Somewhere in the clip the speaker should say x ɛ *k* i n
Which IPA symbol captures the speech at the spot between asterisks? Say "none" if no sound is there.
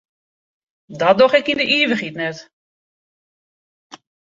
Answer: k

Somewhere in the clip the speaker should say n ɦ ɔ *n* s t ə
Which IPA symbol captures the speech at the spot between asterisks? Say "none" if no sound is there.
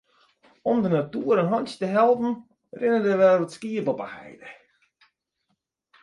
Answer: n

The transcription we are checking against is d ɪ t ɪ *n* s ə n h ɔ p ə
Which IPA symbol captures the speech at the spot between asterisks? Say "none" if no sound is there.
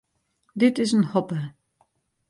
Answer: none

